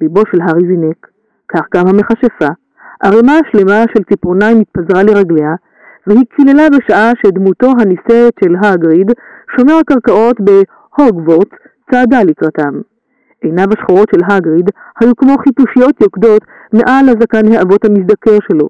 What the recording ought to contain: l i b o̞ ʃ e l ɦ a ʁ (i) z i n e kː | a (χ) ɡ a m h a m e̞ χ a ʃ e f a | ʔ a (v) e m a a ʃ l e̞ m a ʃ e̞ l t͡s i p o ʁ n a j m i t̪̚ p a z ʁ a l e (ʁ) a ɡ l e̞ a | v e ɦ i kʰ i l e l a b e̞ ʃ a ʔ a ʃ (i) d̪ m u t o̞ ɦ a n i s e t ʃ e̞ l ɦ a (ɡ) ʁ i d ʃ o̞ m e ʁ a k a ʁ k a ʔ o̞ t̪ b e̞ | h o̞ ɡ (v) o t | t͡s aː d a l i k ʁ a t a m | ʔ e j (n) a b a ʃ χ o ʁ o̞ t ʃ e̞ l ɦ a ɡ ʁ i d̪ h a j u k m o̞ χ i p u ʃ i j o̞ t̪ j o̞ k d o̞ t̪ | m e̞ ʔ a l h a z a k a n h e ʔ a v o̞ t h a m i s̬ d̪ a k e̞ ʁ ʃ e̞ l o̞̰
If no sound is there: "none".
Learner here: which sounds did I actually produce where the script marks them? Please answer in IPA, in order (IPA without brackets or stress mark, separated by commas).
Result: i, χ, ʁ, ʁ, e, ɡ, v, n